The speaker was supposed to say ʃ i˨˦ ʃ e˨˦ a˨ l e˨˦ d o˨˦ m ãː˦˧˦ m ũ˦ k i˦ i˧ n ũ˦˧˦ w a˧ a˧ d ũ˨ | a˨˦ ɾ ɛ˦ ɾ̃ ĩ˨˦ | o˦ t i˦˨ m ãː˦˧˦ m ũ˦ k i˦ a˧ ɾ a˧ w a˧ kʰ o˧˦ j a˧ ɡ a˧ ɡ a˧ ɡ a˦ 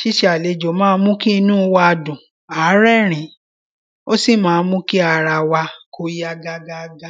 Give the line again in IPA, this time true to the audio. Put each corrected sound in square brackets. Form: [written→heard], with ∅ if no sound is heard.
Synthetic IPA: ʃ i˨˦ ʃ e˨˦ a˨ l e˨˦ [d→d͡ʒ] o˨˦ m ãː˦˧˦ m ũ˦ k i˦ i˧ n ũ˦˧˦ w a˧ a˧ d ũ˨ | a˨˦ ɾ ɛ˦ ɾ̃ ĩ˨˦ | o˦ [t→s] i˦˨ m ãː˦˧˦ m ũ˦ k i˦ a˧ ɾ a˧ w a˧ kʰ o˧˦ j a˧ ɡ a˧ ɡ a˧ ɡ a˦